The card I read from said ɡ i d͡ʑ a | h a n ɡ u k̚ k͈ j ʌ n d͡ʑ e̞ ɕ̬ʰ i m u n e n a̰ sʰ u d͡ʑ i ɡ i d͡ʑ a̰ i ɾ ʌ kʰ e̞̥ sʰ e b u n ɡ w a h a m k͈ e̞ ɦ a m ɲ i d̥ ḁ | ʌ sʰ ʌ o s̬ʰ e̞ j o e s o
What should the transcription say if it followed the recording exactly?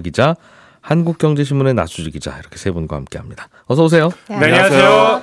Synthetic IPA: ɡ i d͡ʑ a | h a n ɡ u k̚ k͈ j ʌ ŋ d͡ʑ e̞ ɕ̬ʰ i m u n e n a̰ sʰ u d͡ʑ i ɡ i d͡ʑ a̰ i ɾ ʌ kʰ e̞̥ sʰ e b u n ɡ w a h a m k͈ e̞ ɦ a m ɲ i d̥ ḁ | ʌ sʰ ʌ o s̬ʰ e̞ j o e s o